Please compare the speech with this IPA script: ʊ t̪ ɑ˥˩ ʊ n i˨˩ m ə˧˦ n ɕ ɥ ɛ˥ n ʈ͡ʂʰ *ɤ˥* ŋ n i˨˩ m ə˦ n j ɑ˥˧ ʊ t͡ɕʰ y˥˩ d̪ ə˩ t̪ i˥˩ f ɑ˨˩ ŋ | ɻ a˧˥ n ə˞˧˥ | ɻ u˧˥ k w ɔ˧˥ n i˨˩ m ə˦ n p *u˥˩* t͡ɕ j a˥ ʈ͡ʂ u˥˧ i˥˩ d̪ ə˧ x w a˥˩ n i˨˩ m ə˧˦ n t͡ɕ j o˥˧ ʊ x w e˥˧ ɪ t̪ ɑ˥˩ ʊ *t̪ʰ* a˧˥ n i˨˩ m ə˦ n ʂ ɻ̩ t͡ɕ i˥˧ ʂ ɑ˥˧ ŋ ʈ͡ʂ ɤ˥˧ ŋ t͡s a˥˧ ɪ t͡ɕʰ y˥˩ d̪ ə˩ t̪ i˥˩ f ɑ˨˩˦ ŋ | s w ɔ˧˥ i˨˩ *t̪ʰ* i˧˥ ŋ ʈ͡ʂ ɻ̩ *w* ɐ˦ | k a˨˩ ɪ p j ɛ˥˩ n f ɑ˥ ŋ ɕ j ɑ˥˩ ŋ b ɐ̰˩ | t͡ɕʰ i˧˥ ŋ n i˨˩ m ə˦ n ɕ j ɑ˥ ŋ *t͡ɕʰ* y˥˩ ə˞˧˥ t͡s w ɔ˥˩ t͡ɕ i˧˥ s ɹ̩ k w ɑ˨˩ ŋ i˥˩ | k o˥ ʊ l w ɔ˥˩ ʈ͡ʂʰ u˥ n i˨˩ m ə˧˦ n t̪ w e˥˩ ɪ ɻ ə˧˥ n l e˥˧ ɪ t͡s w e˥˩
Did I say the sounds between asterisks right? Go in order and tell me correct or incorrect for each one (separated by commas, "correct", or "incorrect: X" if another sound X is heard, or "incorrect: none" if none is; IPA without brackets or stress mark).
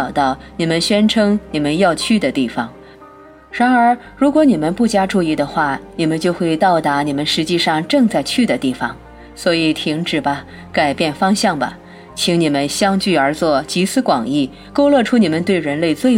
correct, correct, incorrect: t̪, correct, incorrect: b, incorrect: t͡ɕ